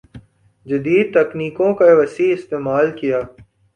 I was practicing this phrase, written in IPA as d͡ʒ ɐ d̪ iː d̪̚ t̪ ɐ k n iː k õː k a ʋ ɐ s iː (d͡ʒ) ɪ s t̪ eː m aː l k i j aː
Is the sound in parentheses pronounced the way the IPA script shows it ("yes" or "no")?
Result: no